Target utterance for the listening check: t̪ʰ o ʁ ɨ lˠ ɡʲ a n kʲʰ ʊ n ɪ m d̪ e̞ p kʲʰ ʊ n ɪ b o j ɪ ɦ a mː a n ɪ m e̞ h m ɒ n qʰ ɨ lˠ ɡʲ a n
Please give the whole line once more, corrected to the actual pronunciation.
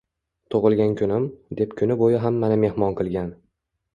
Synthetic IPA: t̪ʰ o ʁ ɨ lˠ ɡʲ a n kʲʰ ʊ n ɪ m d̪ e̞ p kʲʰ ʊ n ɪ b o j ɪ ɦ a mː a n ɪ m e̞ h m ɒ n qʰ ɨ lˠ ɡʲ a n